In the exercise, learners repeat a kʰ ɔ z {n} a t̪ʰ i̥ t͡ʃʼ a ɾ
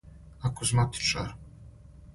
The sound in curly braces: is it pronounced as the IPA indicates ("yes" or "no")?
no